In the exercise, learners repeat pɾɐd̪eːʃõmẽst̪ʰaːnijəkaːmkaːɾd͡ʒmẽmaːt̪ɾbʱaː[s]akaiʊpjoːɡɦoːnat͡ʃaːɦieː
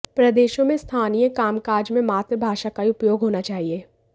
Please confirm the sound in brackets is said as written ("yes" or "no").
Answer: no